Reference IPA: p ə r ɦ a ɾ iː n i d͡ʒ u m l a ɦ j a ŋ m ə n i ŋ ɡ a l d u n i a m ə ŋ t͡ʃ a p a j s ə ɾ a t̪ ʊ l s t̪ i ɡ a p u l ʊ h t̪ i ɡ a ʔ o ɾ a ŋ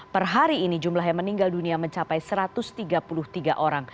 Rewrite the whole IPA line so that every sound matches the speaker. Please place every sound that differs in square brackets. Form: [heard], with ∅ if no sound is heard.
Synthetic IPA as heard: p ə r ɦ a ɾ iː n i d͡ʒ u m l a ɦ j a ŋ m ə n i ŋ ɡ a l d u n i a m ə [ɲ] t͡ʃ a p a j s ə ɾ a t̪ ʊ [∅] s t̪ i ɡ a p u l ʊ h t̪ i ɡ a ʔ o ɾ a ŋ